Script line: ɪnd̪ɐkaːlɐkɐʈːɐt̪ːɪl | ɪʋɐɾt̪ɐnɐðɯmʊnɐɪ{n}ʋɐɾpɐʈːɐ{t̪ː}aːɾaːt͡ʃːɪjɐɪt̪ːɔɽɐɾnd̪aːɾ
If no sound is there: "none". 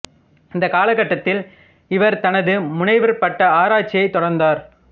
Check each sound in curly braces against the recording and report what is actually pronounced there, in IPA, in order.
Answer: none, none

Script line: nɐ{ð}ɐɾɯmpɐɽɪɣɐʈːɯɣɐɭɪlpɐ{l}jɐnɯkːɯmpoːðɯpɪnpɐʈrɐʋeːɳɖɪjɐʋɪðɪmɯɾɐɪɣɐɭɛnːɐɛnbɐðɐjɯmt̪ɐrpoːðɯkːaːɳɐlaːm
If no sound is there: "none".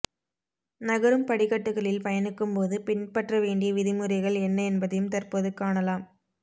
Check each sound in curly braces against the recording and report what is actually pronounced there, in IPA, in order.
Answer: ɣ, none

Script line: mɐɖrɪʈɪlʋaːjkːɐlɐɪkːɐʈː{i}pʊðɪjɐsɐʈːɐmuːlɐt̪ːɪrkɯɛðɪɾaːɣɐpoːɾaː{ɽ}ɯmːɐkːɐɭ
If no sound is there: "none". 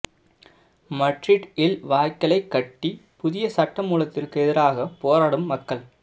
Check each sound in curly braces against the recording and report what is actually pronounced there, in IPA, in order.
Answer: i, ɽ

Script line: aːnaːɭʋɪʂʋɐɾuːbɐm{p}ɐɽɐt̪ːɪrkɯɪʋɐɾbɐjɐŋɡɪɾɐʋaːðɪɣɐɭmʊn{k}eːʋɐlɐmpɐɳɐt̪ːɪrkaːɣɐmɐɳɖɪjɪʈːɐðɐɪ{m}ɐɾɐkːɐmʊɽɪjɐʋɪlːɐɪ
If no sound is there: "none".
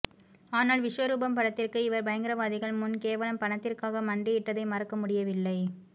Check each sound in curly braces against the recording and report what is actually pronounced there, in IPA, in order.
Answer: p, k, m

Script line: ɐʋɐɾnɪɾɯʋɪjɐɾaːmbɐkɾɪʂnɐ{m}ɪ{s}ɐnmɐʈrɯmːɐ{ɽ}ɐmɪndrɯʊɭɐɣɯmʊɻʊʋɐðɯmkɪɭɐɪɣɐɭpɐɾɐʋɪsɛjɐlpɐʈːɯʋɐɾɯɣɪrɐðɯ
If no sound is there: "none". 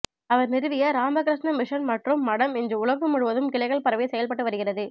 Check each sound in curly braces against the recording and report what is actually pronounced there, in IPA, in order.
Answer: m, ʂ, ɽ

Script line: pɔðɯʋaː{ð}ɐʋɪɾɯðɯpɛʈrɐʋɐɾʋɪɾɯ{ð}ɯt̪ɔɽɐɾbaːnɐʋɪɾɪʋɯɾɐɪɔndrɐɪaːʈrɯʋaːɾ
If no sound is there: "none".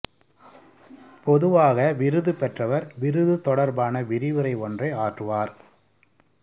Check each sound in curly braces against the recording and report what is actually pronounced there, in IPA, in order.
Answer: ɣ, ð

